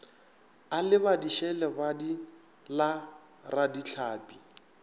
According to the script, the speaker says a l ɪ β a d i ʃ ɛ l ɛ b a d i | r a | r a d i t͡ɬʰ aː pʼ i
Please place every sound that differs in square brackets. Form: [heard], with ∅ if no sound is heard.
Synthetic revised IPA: a l ɪ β a d i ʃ ɛ l ɛ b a d i | [l] a | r a d i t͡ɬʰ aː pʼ i